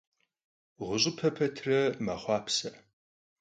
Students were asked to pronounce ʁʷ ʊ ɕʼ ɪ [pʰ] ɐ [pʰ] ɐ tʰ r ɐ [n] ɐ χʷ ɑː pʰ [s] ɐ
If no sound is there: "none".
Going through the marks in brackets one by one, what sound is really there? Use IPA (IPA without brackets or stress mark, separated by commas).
pʰ, pʰ, m, s